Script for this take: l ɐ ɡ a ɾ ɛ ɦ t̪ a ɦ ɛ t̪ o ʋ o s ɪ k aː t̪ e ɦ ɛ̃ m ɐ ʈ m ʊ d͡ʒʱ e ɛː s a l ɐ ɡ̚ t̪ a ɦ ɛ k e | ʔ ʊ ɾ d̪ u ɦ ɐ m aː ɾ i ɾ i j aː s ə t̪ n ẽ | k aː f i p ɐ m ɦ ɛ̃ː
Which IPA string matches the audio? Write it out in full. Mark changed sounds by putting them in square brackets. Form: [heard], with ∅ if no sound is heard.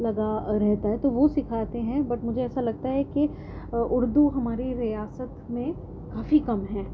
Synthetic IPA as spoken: l ɐ ɡ a ɾ ɛ ɦ t̪ a ɦ ɛ t̪ o ʋ o s ɪ [kʰ] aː t̪ e ɦ ɛ̃ [b] ɐ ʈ m ʊ d͡ʒʱ e ɛː s a l ɐ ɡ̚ t̪ a ɦ ɛ k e | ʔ ʊ ɾ d̪ u ɦ ɐ m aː ɾ i ɾ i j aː s ə t̪ [m] ẽ | k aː f i [k] ɐ m ɦ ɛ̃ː